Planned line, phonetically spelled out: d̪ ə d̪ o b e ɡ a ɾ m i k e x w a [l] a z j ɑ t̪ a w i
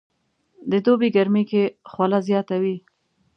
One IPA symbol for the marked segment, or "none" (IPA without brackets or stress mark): l